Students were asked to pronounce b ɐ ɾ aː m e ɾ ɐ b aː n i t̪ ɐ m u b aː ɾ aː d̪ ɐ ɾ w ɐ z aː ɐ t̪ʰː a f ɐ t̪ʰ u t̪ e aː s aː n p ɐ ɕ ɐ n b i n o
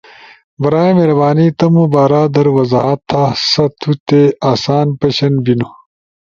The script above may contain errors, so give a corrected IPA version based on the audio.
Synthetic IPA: b ɐ ɾ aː m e ɾ ɐ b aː n i t̪ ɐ m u b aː ɾ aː d̪ ɐ ɾ w ɐ z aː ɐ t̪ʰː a s ɐ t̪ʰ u t̪ e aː s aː n p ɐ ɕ ɐ n b i n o